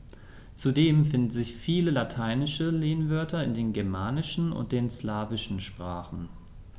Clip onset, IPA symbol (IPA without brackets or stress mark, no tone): t͡s